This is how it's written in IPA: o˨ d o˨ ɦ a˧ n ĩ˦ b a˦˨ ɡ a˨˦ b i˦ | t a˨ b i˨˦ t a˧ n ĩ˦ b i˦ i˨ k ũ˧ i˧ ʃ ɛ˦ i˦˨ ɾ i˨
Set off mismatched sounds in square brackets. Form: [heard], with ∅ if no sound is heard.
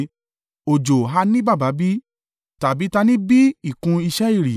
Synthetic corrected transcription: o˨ [d͡ʒ] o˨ ɦ a˧ n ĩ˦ b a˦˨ [b] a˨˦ b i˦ | t a˨ b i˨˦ t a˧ n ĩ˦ b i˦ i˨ k ũ˧ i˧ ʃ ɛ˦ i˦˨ ɾ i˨